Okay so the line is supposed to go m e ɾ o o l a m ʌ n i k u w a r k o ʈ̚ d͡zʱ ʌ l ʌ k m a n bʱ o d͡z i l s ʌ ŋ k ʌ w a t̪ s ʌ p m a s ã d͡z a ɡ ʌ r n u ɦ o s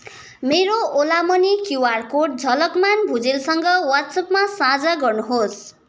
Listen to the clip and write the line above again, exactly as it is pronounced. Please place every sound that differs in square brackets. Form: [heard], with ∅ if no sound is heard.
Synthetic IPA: m e ɾ o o l a m ʌ n i k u w a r k o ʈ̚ d͡zʱ ʌ l ʌ k m a n bʱ [u] d͡z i l s ʌ ŋ [ɡ] ʌ w a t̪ s ʌ p m a s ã d͡z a ɡ ʌ r n u ɦ o s

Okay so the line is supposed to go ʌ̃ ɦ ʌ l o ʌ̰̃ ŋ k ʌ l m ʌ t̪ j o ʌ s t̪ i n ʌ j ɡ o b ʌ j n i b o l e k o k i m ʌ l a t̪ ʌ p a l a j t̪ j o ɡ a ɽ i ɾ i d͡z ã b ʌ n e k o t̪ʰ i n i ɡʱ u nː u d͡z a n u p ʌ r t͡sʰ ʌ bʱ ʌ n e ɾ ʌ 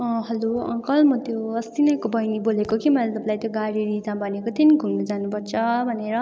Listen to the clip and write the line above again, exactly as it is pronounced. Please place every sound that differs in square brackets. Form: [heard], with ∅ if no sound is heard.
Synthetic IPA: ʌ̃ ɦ ʌ l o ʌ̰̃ ŋ k ʌ l m ʌ t̪ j o ʌ s t̪ i n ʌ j [k] o b ʌ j n i b o l e k o k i m ʌ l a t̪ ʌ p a l a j t̪ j o ɡ a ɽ i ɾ i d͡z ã b ʌ n e k o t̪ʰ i n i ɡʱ u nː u d͡z a n u p ʌ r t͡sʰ ʌ bʱ ʌ n e ɾ ʌ

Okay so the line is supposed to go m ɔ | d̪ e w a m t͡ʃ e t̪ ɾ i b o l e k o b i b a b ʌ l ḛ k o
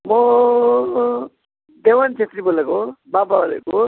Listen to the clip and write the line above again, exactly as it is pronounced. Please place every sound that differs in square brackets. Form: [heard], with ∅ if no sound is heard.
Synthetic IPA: m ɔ | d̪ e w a [n] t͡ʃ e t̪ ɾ i b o l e k o b [a] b a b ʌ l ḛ k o

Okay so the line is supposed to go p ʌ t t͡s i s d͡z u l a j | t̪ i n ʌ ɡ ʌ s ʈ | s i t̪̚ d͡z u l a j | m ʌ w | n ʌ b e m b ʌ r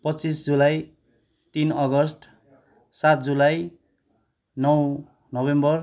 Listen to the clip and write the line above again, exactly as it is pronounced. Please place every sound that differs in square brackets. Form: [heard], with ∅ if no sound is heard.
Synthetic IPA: p ʌ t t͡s i s d͡z u l a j | t̪ i n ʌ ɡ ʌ s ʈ | s [a] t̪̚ d͡z u l a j | [n] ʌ w | n ʌ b e m b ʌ r

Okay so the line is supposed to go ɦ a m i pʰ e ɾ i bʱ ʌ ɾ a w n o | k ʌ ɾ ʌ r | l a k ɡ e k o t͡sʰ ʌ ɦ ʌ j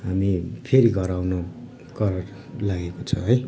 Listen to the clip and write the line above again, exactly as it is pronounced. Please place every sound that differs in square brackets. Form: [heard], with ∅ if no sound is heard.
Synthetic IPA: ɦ a m i pʰ e ɾ i [ɡʱ] ʌ ɾ a w n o | k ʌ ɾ ʌ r | l a [∅] ɡ e k o t͡sʰ ʌ ɦ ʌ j

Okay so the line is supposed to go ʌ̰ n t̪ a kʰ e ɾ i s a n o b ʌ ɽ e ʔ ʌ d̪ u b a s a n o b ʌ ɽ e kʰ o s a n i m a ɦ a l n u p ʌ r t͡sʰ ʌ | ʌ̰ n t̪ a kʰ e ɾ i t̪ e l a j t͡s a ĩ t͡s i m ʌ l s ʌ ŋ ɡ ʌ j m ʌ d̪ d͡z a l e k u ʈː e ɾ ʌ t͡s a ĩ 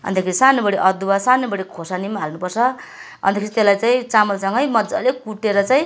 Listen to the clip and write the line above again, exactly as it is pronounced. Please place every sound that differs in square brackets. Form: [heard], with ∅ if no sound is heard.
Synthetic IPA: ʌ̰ n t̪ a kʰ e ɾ i s a n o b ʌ ɽ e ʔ ʌ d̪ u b a s a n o b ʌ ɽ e kʰ o s a n i m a ɦ a l n u p ʌ r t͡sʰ ʌ | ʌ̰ n t̪ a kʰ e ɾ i t̪ e l a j t͡s a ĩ t͡s [a] m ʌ l s ʌ ŋ ɡ ʌ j m ʌ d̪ d͡z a l e k u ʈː e ɾ ʌ t͡s a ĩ

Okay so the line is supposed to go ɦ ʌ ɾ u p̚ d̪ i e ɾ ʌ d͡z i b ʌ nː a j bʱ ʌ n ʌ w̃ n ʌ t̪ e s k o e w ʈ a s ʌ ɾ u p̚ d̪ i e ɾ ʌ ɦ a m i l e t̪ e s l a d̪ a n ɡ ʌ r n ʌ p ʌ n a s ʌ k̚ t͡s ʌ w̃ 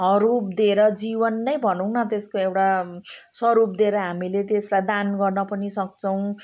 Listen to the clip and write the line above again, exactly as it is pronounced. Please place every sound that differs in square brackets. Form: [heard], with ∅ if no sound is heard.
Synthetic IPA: ɦ ʌ ɾ u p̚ d̪ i e ɾ ʌ d͡z i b ʌ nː [ʌ] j bʱ ʌ n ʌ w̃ n ʌ t̪ e s k o e w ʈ a s ʌ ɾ u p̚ d̪ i e ɾ ʌ ɦ a m i l e t̪ e s l a d̪ a n ɡ ʌ r n ʌ p ʌ n [i] s ʌ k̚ t͡s ʌ w̃

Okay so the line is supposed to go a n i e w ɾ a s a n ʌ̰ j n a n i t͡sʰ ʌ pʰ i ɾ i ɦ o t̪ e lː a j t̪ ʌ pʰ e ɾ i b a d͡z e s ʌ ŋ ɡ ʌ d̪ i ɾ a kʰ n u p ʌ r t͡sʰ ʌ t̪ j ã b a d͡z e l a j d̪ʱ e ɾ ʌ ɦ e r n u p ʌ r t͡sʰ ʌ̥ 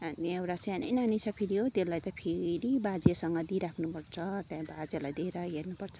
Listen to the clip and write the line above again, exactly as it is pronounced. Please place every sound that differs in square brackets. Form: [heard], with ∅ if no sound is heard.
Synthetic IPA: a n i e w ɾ a s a n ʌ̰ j n a n i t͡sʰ ʌ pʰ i ɾ i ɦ o t̪ e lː a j t̪ ʌ pʰ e ɾ i b a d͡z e s ʌ ŋ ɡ ʌ d̪ i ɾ a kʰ n u p ʌ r t͡sʰ ʌ t̪ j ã b a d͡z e l a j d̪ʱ e ɾ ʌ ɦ e r n u p ʌ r t͡sʰ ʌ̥

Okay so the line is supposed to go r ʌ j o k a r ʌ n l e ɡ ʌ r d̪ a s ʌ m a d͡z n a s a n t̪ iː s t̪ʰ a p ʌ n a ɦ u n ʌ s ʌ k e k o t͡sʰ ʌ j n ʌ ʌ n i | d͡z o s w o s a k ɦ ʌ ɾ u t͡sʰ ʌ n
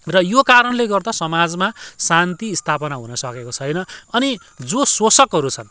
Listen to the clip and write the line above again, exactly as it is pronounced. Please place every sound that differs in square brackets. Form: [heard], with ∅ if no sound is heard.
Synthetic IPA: r ʌ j o k a [ɾ] ʌ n l e ɡ ʌ r d̪ a s ʌ m a d͡z [m] a s a n t̪ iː s t̪ʰ a p ʌ n a ɦ u n ʌ s ʌ k e k o t͡sʰ ʌ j n ʌ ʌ n i | d͡z o s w o s [ʌ] k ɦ ʌ ɾ u t͡sʰ ʌ n

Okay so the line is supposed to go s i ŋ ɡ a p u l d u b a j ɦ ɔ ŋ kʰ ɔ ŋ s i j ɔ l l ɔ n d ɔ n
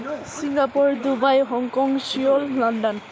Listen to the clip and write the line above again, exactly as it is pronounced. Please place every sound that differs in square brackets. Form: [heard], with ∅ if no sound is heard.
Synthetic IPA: s i ŋ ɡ a p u [ɹ] d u b a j ɦ ɔ ŋ [k] ɔ ŋ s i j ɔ l l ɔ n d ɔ n

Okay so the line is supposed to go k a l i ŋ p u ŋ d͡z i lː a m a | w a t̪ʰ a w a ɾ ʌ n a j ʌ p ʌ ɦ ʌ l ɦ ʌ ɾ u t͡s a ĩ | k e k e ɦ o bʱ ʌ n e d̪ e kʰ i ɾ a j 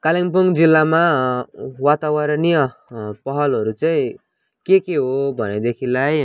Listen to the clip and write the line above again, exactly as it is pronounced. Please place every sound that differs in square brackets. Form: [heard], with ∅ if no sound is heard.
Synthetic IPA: k a l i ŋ p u ŋ d͡z i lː a m a | w a [t̪] a w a ɾ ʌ n [i] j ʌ p ʌ ɦ ʌ l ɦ ʌ ɾ u t͡s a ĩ | k e k e ɦ o bʱ ʌ n e d̪ e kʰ i [l] a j

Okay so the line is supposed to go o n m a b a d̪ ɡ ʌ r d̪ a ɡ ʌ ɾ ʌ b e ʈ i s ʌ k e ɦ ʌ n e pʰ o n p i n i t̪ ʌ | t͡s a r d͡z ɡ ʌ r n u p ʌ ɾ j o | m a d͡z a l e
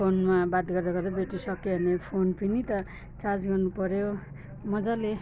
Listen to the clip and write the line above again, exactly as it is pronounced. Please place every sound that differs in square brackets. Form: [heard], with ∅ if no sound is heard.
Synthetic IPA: o n m a b a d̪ ɡ ʌ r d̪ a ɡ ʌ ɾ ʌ b e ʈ i s ʌ k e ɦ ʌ n e pʰ o n p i n i t̪ ʌ | t͡s a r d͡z ɡ ʌ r n u p ʌ ɾ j o | m [ʌ] d͡z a l e

